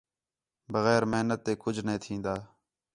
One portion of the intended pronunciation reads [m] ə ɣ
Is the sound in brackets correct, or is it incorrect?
incorrect: b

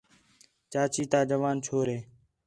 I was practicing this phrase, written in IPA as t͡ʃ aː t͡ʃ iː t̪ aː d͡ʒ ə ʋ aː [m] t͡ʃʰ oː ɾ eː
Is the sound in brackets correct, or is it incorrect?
incorrect: n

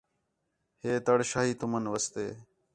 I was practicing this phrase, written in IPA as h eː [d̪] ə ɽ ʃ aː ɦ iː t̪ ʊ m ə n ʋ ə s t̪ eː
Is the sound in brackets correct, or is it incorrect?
incorrect: t̪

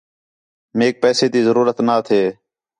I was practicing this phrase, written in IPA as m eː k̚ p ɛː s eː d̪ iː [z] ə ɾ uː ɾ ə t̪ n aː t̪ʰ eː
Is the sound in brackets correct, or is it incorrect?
correct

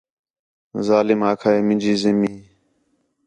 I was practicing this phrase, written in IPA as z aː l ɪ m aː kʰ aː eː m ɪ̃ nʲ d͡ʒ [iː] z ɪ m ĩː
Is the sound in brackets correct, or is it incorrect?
correct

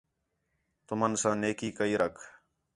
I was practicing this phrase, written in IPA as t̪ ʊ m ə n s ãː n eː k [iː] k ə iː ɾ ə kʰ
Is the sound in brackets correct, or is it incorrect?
correct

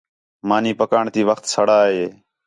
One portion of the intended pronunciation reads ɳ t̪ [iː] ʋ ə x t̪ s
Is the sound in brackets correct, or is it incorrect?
correct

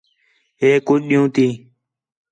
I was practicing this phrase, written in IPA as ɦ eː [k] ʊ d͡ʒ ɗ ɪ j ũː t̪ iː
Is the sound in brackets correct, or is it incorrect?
correct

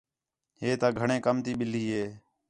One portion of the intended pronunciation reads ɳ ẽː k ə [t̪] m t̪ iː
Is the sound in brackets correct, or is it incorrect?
incorrect: none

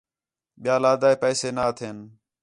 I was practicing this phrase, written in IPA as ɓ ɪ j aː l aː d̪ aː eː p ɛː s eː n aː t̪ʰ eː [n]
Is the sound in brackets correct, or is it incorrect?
correct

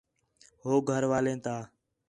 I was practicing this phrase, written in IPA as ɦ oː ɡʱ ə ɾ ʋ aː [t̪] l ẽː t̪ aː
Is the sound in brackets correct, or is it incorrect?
incorrect: none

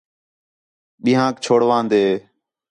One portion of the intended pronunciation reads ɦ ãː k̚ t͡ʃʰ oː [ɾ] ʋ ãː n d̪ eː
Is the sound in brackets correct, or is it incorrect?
incorrect: ɽ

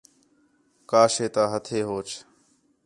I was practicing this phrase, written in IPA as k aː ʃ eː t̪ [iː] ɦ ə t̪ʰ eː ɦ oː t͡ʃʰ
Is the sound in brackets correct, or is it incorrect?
incorrect: aː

